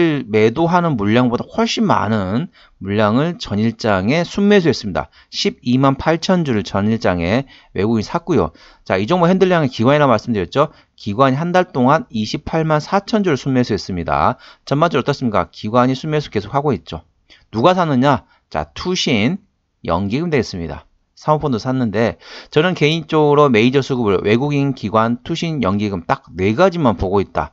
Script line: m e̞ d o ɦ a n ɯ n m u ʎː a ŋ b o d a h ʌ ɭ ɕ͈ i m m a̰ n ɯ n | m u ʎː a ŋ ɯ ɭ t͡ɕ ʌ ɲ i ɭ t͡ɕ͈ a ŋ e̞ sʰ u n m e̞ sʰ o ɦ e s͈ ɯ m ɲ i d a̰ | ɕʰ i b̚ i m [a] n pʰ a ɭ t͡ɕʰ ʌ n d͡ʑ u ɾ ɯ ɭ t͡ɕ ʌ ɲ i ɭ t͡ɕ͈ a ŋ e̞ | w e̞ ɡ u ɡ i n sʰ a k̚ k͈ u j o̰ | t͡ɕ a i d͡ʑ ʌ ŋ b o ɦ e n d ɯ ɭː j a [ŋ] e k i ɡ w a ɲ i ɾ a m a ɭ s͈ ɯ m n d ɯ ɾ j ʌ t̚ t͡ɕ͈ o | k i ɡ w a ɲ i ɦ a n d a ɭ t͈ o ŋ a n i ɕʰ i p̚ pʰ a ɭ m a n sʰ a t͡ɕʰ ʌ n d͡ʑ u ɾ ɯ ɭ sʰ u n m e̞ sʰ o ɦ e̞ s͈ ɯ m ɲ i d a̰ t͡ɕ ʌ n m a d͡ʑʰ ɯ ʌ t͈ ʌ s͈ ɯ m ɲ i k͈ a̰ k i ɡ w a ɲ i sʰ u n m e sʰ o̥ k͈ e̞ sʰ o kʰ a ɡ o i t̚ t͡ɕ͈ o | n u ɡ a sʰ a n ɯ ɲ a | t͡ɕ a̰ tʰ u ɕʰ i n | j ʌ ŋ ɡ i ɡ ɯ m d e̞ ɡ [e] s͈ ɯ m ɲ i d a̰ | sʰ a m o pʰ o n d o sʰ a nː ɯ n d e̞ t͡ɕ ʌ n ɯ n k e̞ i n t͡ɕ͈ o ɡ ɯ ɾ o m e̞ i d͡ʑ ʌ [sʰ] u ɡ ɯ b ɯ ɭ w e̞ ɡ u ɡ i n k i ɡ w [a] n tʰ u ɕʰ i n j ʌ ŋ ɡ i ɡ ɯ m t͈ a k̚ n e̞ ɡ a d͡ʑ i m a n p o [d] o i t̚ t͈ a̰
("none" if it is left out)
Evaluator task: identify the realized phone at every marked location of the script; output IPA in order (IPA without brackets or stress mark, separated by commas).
a, ŋ, e, sʰ, a, ɡ